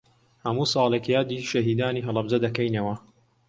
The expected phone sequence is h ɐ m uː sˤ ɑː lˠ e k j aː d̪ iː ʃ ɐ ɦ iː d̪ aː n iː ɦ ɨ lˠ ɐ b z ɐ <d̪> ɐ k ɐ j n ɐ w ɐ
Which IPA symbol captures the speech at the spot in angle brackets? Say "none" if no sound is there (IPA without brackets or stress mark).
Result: d̪